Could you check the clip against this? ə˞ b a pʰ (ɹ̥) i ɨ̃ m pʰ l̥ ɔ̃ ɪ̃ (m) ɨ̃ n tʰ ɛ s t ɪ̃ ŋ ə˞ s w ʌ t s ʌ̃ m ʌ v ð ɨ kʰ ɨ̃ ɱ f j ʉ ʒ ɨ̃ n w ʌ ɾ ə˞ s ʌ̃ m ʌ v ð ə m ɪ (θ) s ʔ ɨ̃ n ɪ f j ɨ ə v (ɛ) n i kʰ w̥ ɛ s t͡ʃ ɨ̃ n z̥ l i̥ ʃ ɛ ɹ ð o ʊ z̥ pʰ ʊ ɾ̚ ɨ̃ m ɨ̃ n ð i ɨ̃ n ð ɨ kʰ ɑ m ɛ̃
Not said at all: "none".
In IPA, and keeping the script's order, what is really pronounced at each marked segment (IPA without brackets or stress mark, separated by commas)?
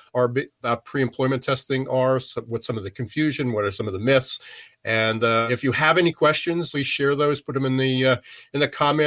ɹ̥, m, θ, ɛ